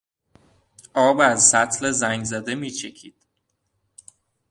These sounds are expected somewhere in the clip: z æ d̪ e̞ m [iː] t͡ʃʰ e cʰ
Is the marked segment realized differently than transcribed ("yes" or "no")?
no